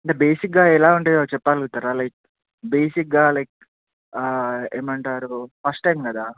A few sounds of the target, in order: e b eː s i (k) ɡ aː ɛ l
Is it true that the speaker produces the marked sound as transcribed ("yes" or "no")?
yes